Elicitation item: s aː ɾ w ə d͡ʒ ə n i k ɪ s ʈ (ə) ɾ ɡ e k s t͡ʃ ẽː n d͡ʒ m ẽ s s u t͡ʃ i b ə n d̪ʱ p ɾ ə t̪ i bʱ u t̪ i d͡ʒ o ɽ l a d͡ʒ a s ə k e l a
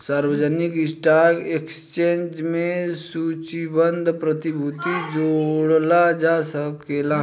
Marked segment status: incorrect: a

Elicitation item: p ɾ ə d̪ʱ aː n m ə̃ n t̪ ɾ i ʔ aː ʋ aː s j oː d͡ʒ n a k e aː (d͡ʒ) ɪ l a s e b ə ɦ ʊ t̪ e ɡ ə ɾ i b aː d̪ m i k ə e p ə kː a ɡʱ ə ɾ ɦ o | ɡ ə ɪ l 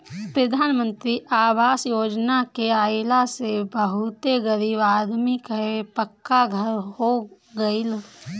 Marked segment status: incorrect: none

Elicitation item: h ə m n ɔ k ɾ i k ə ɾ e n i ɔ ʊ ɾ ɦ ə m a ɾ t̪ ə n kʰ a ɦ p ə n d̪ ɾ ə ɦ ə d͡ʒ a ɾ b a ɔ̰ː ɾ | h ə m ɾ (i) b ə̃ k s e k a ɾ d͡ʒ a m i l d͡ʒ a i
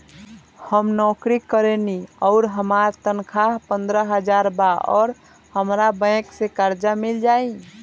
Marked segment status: incorrect: a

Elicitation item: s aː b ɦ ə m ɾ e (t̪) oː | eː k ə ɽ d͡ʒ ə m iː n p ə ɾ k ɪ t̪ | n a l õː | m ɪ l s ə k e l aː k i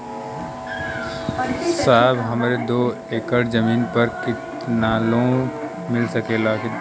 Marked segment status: incorrect: d̪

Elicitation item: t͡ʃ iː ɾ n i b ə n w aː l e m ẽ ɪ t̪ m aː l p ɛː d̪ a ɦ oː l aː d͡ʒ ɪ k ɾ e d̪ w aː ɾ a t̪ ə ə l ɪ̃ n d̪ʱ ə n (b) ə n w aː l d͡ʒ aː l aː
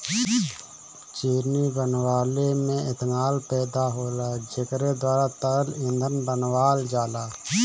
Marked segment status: correct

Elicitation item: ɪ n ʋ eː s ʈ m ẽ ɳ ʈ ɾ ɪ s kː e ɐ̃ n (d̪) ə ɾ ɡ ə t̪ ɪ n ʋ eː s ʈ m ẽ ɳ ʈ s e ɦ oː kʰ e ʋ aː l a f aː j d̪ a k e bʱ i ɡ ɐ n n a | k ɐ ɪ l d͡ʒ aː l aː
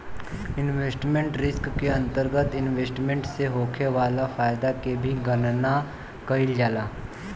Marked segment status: incorrect: t̪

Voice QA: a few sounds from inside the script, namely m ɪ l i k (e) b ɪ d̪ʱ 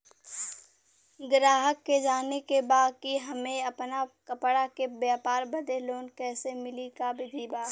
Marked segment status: incorrect: a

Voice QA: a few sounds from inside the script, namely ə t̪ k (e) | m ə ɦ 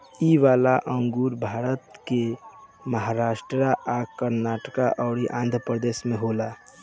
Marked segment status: correct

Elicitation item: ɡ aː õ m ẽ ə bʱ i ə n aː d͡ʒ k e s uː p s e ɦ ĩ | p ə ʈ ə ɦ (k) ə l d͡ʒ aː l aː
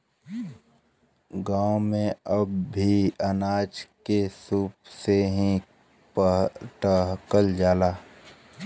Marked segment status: correct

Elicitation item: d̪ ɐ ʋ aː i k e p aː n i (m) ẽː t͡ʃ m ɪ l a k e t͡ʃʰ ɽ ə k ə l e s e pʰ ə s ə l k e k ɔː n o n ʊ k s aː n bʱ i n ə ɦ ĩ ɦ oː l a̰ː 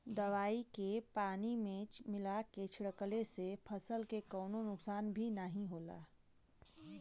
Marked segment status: correct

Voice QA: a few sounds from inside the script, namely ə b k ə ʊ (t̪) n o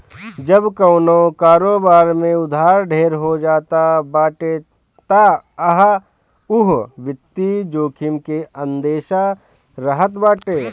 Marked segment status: incorrect: none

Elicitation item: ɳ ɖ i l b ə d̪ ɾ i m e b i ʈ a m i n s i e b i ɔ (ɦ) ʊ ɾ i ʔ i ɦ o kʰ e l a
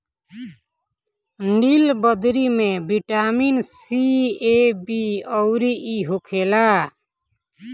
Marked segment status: incorrect: none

